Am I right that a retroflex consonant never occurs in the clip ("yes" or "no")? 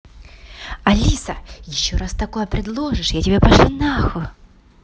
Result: no